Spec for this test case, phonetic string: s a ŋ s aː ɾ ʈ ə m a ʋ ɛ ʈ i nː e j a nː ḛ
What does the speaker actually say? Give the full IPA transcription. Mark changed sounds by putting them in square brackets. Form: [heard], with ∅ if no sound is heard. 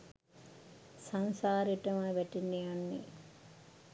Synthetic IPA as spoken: s a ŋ s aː ɾ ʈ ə m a ʋ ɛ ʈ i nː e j a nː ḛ